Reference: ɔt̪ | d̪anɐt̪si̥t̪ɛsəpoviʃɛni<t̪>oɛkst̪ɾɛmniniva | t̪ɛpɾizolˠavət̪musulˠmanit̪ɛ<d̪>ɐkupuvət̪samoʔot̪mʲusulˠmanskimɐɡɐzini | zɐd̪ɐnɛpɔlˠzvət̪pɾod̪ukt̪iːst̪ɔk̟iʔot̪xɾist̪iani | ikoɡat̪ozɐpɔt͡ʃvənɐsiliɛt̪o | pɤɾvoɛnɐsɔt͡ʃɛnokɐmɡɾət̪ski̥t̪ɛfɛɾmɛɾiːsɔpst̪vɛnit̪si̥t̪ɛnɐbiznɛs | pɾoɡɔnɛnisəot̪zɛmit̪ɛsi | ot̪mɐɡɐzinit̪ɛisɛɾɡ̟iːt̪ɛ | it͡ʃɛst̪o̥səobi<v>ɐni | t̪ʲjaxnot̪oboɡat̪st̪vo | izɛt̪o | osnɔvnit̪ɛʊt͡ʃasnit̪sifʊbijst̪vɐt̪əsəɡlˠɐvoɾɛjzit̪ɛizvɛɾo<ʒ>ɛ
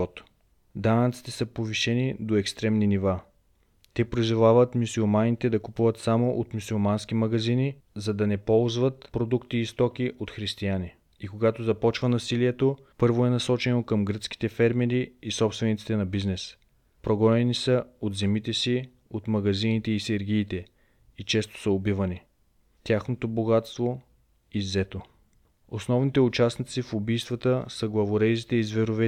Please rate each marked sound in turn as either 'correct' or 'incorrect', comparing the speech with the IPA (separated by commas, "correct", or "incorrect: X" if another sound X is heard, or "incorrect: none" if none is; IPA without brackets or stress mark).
incorrect: d̪, correct, correct, incorrect: v